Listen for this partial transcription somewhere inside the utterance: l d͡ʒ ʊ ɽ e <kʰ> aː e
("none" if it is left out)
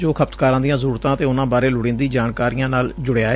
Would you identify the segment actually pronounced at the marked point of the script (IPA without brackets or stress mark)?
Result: none